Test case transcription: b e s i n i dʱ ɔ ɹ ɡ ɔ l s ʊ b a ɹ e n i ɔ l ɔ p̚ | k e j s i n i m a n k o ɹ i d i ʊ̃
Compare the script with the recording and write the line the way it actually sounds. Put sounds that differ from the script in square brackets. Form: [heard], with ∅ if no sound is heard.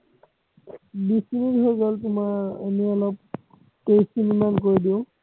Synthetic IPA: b [i] s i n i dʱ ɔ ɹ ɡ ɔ l [t] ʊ [m] a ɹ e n i ɔ l ɔ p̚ | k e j s i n i m a n k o ɹ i d i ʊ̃